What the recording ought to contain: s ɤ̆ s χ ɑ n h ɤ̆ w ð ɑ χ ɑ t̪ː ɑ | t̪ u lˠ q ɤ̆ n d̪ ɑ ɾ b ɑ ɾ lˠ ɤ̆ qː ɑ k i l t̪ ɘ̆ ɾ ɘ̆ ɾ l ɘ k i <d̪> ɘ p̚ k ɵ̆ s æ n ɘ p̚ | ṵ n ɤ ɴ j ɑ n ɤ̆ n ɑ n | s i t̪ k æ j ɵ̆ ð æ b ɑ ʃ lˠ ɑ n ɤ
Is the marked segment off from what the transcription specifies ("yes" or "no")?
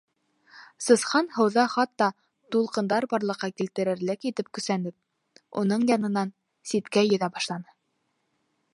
yes